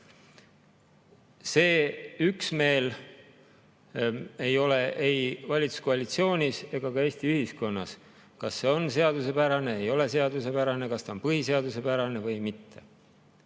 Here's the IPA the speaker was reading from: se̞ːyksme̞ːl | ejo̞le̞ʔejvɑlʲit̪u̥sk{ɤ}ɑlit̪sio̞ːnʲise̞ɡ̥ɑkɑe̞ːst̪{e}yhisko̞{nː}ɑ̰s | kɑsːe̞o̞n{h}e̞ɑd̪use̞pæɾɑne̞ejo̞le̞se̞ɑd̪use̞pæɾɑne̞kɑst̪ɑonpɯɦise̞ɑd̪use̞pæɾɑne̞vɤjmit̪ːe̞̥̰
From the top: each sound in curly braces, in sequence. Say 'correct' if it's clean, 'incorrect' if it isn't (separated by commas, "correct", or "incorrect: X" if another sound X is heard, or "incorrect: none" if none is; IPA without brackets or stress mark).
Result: incorrect: o, incorrect: i, correct, incorrect: s